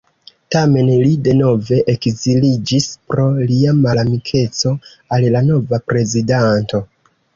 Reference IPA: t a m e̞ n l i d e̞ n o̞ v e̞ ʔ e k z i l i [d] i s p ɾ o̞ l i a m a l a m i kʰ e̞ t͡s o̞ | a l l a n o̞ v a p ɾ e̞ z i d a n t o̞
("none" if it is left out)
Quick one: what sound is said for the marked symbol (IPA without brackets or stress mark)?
d͡ʒ